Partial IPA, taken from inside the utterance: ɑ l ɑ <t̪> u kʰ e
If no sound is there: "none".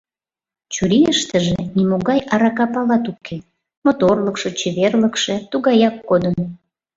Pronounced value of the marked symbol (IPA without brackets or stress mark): t̪